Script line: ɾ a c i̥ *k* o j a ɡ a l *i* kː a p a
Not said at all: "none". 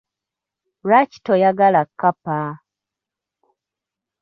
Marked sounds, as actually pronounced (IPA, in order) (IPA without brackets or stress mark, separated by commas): t, a